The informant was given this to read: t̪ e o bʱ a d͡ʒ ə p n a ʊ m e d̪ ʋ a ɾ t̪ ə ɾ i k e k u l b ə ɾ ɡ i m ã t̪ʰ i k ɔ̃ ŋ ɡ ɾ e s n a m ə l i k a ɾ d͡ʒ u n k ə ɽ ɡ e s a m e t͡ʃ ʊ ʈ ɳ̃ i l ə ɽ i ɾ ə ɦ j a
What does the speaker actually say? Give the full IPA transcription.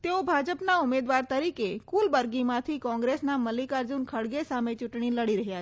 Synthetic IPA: t̪ e o bʱ a d͡ʒ ə p n a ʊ m e d̪ ʋ a ɾ t̪ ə ɾ i k e k u l b ə ɾ ɡ i m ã t̪ʰ i k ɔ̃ ŋ ɡ ɾ e s n a m ə l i k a ɾ d͡ʒ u n kʰ ə ɽ ɡ e s a m e t͡ʃ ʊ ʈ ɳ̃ i l ə ɽ i ɾ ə ɦ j a